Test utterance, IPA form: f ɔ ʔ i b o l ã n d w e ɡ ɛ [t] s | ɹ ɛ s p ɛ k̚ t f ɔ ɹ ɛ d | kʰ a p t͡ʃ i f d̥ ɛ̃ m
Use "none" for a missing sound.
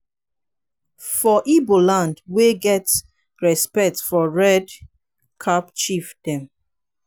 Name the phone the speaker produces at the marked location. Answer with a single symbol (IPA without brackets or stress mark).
t